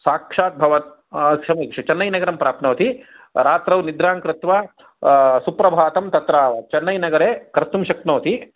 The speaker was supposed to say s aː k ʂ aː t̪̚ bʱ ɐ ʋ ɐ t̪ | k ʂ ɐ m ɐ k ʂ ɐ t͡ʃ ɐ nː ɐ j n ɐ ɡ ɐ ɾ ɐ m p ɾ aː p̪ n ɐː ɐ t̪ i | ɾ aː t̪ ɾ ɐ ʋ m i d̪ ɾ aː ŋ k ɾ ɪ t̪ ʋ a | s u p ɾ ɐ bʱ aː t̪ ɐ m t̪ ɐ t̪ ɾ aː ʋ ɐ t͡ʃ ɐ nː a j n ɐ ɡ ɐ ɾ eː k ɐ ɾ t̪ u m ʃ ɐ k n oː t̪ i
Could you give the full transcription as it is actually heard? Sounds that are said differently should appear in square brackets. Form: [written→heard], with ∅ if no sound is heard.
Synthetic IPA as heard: s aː k ʂ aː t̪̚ bʱ ɐ ʋ ɐ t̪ | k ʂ ɐ m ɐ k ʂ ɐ t͡ʃ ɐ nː ɐ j n ɐ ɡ ɐ ɾ ɐ m p ɾ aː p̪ n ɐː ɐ t̪ i | ɾ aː t̪ ɾ ɐ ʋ [m→n] i d̪ ɾ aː ŋ k ɾ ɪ t̪ ʋ a | s u p ɾ ɐ bʱ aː t̪ ɐ m t̪ ɐ t̪ ɾ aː ʋ ɐ t͡ʃ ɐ nː [a→ɐ] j n ɐ ɡ ɐ ɾ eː k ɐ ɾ t̪ u m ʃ ɐ k n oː t̪ i